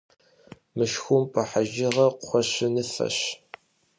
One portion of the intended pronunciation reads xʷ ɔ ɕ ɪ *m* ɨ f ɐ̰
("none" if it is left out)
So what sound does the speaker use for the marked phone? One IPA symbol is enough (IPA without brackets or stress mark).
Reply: n